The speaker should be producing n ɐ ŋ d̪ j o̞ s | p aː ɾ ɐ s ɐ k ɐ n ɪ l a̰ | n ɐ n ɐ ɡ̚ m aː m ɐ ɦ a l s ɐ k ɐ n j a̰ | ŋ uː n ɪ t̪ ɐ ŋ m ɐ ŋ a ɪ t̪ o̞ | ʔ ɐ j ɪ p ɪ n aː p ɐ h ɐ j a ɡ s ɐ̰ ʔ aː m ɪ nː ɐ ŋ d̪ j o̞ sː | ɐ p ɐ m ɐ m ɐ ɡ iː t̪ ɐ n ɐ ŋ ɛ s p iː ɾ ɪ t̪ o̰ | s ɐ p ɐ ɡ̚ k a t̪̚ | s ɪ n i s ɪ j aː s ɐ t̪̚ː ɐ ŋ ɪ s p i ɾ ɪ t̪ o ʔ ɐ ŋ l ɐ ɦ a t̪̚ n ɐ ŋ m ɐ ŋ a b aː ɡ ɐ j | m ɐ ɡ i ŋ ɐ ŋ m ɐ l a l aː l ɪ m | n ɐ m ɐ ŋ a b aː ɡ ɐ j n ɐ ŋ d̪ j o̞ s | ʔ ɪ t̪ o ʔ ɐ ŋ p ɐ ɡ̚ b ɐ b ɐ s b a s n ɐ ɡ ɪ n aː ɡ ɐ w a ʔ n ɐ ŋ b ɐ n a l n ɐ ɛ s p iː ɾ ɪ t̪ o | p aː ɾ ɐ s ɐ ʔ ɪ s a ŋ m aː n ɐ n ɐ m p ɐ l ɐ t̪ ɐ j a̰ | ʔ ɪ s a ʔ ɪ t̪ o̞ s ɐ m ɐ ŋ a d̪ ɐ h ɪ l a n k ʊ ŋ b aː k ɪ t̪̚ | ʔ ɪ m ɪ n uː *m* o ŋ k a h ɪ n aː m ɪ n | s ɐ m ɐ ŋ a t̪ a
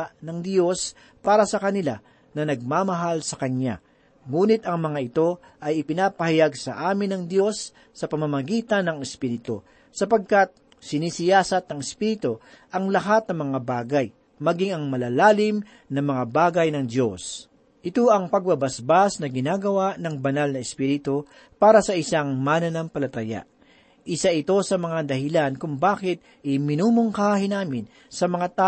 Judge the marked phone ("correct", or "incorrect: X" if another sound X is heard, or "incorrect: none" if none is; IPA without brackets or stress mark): correct